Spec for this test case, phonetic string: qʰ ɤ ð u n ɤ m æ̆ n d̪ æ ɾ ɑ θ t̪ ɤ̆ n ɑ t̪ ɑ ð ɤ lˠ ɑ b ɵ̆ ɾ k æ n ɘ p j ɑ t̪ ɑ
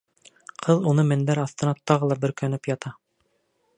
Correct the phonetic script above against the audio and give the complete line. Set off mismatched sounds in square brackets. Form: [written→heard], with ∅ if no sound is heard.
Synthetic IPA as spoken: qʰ ɤ ð u n ɤ m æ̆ n d̪ æ ɾ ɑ θ t̪ ɤ̆ n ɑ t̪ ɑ [ð→ʁ] ɤ lˠ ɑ b ɵ̆ ɾ k æ n ɘ p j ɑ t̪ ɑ